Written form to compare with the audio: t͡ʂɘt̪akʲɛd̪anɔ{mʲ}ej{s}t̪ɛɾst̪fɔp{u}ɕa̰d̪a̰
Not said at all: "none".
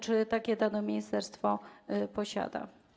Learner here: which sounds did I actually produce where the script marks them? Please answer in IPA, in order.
mʲ, s, ɔ

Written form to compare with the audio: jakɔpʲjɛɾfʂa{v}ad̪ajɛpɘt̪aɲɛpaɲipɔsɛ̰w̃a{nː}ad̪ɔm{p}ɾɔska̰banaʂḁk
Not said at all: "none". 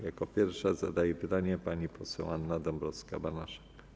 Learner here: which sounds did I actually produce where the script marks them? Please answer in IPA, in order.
z, nː, b

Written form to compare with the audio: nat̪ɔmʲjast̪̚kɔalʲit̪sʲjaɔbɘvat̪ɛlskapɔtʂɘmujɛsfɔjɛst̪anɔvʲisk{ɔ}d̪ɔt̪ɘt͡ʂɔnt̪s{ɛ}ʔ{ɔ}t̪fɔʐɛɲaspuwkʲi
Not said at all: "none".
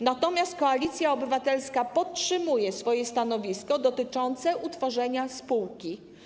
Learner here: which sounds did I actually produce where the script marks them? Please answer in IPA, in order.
ɔ, ɛ, u

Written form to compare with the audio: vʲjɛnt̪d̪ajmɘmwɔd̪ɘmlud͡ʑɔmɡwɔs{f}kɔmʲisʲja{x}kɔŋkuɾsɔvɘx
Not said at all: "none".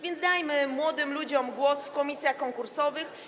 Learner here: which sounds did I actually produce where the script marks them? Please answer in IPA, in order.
f, x

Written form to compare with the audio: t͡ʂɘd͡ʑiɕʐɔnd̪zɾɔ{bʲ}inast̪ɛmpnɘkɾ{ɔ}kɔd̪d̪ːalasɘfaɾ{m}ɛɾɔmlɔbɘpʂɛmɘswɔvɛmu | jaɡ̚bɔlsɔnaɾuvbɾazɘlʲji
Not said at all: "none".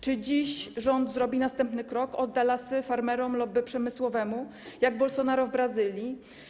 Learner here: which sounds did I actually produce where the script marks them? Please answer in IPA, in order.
bʲ, ɔ, m

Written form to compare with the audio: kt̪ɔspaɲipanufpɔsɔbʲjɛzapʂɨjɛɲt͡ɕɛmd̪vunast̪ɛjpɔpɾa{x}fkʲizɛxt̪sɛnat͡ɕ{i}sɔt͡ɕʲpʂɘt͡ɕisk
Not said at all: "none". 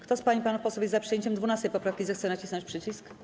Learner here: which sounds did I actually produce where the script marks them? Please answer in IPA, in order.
none, i

